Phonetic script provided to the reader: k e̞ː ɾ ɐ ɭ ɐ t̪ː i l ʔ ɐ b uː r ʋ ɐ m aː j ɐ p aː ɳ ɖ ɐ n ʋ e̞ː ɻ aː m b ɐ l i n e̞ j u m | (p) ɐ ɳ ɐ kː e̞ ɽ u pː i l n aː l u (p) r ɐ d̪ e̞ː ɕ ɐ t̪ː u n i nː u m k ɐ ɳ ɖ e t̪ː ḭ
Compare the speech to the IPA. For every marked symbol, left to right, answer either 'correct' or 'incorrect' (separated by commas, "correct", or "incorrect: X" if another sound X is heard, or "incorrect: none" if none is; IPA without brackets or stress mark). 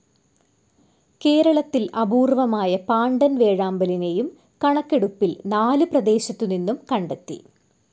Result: incorrect: k, correct